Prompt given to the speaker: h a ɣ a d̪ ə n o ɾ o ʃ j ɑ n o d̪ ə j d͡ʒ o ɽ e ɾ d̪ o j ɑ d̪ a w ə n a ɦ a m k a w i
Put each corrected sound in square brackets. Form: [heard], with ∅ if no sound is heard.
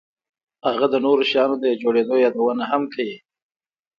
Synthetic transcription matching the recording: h a ɣ a d̪ ə n o ɾ o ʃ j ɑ n o d̪ ə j d͡ʒ o ɽ e [∅] d̪ o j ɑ d̪ a w ə n a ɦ a m k a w i